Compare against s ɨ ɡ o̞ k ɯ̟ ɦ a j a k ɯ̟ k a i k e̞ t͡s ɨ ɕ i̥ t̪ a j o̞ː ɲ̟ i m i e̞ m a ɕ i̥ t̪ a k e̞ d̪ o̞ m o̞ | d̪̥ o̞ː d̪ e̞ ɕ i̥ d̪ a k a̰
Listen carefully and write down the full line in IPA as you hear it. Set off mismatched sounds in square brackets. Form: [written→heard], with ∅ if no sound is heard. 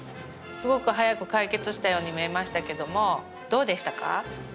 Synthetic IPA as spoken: s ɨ ɡ o̞ k ɯ̟ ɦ a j a k ɯ̟ k a i k e̞ t͡s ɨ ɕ i̥ t̪ a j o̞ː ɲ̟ i m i e̞ m a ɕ i̥ t̪ a k e̞ d̪ o̞ m o̞ | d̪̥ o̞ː d̪ e̞ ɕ i̥ [d̪→t̪] a k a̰